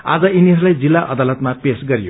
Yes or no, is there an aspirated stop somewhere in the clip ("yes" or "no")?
no